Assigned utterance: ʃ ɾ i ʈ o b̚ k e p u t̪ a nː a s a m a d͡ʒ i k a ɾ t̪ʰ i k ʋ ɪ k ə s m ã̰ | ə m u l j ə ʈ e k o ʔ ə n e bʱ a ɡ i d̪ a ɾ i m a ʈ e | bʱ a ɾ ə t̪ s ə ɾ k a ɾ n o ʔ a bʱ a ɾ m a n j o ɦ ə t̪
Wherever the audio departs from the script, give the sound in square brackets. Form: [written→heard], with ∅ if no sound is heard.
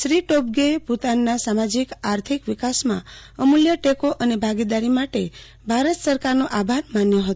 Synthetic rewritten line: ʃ ɾ i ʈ o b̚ [k→ɡ] e p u t̪ a nː a s a m a d͡ʒ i k a ɾ t̪ʰ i k ʋ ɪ k [ə→a] s m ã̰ | ə m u l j ə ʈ e k o ʔ ə n e bʱ a ɡ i d̪ a ɾ i m a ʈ e | bʱ a ɾ ə t̪ s ə ɾ k a ɾ n o ʔ a bʱ a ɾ m a n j o ɦ ə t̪